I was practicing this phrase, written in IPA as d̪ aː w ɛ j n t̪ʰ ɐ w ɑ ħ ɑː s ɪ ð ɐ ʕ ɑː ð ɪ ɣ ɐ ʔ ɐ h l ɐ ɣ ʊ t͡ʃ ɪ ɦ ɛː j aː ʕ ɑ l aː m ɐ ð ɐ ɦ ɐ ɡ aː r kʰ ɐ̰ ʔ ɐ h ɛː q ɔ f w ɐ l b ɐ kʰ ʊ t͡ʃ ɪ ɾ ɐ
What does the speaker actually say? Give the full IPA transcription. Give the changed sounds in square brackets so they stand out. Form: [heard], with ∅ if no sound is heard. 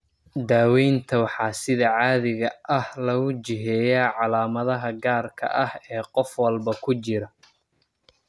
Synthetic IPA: d̪ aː w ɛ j n t̪ʰ ɐ w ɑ ħ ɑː s ɪ ð ɐ ʕ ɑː ð ɪ ɣ ɐ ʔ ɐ h l ɐ ɣ ʊ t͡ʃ ɪ ɦ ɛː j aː ʕ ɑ l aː m ɐ ð ɐ ɦ ɐ ɡ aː r kʰ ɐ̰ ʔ ɐ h ɛː q ɔ f w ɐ l b ɐ kʰ ʊ t͡ʃ ɪ ɾ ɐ